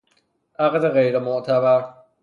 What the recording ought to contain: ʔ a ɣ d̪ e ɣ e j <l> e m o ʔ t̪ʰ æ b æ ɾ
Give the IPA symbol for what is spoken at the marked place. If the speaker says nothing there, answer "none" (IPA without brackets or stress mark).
ɾ